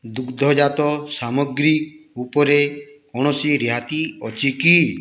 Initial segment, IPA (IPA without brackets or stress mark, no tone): d̪